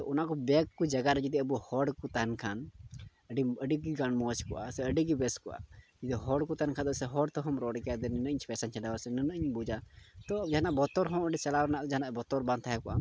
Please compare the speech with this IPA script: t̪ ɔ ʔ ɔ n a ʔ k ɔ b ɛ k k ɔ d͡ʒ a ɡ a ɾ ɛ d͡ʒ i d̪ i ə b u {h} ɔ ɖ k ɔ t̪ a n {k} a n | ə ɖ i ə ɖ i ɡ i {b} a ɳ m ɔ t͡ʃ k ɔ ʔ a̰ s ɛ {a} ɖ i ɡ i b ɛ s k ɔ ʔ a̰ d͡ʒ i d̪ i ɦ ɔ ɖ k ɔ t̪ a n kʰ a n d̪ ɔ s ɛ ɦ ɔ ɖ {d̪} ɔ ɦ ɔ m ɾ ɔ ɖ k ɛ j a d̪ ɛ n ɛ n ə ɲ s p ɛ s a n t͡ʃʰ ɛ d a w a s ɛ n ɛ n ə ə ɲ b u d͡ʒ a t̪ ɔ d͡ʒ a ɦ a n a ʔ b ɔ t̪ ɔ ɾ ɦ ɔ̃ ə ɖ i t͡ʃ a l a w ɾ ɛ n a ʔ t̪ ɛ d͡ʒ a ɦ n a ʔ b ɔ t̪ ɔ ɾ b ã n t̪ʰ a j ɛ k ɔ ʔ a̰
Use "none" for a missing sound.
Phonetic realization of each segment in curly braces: h, kʰ, ɡ, ə, t̪

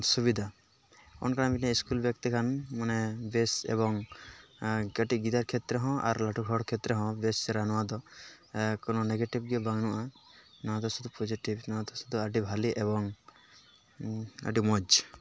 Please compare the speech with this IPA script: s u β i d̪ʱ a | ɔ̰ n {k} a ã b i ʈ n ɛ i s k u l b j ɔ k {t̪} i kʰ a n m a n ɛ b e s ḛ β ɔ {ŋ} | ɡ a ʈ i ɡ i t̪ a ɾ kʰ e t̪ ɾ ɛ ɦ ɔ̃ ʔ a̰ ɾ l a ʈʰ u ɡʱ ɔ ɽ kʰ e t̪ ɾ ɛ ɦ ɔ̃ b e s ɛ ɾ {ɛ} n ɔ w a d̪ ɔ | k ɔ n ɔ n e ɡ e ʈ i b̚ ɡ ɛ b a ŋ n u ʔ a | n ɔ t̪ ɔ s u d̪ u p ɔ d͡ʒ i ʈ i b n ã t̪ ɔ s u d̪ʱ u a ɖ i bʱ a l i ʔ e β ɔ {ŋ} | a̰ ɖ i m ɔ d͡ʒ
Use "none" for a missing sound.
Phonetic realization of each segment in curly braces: k, t̪, ŋ, a, ŋ

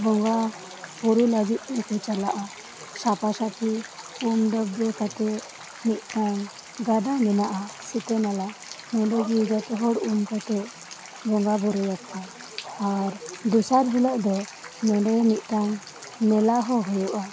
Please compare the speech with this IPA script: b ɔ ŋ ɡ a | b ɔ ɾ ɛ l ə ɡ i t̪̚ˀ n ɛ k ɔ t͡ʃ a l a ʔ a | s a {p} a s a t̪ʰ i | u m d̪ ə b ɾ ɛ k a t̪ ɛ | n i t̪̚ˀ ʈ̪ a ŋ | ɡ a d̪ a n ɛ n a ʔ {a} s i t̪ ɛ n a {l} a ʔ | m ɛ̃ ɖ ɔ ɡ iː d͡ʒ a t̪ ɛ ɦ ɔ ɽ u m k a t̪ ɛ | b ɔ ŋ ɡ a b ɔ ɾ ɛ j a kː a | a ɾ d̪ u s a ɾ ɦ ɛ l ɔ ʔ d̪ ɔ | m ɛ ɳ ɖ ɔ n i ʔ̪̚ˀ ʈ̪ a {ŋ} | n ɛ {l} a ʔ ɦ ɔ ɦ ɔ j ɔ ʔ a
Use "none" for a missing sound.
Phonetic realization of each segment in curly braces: p, a, l, ŋ, l

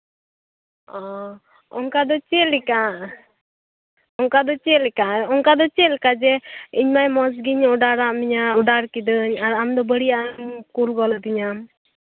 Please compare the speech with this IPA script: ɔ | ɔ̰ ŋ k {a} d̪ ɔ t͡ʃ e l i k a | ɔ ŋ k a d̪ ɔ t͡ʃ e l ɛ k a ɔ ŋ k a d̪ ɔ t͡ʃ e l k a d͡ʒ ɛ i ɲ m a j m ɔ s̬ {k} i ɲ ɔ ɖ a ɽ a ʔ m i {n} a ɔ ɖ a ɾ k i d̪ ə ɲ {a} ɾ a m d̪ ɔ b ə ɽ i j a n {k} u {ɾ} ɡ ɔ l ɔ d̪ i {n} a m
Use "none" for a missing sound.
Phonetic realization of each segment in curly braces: a, ɡ, ɲ, a, k, l, ɲ

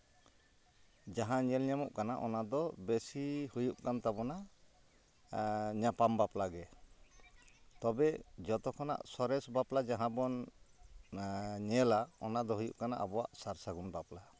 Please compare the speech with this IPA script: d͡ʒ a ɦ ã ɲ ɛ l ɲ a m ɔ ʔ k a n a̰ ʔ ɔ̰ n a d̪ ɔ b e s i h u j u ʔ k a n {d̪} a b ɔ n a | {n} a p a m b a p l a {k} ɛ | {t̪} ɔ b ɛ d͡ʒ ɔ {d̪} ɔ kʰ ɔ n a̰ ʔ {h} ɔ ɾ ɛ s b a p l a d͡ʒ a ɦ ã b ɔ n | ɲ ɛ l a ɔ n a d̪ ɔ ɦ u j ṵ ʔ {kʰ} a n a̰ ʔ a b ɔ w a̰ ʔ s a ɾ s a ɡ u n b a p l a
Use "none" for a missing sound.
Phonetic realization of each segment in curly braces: t̪, ɲ, ɡ, t̪, t̪, s, k

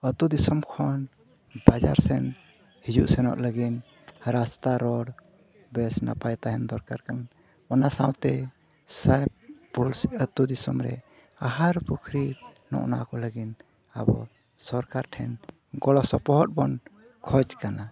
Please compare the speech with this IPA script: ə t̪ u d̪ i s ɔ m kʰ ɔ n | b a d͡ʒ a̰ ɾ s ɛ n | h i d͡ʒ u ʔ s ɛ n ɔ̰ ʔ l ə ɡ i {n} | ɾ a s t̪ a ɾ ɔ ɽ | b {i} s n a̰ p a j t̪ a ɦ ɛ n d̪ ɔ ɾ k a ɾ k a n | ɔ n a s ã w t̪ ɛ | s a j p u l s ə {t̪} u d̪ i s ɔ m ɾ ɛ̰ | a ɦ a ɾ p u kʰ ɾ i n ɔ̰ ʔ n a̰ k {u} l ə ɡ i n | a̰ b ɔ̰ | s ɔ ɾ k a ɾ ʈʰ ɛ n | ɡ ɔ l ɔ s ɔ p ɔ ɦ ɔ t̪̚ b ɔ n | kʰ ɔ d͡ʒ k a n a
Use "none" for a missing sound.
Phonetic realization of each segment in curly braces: n, ɛ, t̪, ɔ

